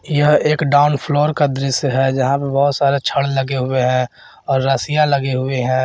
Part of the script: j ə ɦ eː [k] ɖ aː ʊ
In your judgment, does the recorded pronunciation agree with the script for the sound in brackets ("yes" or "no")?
yes